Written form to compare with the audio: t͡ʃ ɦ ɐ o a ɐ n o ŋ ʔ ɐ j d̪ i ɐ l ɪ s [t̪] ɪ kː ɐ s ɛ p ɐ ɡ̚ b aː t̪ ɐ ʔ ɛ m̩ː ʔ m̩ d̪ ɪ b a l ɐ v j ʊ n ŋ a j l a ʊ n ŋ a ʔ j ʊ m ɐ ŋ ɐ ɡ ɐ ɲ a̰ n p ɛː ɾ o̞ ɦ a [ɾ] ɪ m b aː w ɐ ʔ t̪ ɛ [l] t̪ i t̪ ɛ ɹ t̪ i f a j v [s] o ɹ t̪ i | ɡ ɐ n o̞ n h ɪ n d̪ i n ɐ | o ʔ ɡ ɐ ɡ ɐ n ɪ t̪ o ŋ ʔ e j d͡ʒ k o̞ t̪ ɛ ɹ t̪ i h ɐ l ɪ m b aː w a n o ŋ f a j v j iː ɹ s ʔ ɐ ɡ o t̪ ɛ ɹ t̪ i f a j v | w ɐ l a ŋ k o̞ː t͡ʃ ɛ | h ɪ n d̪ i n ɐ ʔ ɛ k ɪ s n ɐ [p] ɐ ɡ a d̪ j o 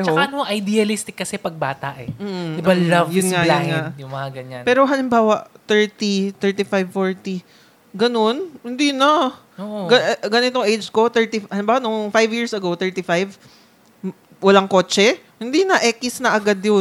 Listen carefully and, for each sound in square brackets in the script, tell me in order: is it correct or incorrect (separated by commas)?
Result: correct, incorrect, incorrect, incorrect, incorrect